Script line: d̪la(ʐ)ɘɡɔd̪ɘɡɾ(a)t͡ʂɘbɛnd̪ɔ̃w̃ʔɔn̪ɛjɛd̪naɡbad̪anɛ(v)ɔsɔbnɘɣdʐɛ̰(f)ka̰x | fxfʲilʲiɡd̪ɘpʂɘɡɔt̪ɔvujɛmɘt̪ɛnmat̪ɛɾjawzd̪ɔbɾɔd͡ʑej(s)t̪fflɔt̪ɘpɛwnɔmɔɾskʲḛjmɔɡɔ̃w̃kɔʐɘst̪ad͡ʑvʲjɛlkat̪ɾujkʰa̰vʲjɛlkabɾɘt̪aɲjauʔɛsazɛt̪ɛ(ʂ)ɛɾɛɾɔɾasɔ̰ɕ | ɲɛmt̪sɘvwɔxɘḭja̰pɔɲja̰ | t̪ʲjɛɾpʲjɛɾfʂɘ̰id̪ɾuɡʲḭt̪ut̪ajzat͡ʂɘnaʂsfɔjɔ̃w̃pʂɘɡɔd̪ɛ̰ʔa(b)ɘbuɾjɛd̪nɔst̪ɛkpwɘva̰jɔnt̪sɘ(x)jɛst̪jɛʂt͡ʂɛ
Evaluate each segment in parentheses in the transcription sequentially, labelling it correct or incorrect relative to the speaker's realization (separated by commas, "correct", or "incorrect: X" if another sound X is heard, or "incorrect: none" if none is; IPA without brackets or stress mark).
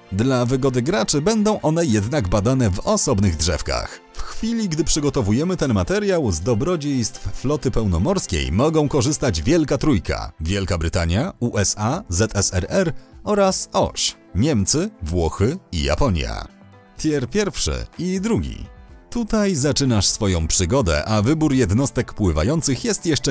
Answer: incorrect: v, correct, correct, correct, correct, incorrect: s, incorrect: v, correct